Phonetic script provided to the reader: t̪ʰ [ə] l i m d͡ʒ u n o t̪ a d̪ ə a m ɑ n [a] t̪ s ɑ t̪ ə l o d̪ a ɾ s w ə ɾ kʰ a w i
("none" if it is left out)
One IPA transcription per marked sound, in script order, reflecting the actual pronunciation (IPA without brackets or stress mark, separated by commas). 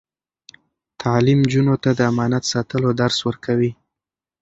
ɑ, a